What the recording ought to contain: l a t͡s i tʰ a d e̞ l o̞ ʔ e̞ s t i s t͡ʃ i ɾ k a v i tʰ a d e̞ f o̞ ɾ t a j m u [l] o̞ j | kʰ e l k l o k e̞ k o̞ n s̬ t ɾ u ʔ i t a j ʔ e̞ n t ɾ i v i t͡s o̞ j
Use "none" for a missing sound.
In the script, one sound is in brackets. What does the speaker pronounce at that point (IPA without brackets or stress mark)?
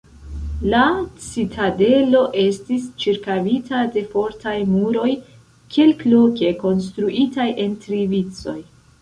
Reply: ɾ